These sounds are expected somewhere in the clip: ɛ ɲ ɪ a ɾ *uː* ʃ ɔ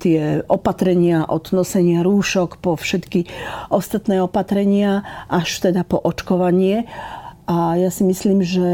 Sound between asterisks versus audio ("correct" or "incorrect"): correct